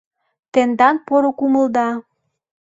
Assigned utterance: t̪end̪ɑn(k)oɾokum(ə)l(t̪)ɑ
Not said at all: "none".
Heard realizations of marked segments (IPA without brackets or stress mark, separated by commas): p, ə, d̪